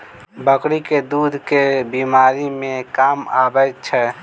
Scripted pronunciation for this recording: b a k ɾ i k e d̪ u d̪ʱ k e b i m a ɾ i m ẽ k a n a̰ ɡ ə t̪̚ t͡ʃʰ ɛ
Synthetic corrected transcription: b ə k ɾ i k e d̪ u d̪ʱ k e b i m a ɾ i m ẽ k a m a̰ b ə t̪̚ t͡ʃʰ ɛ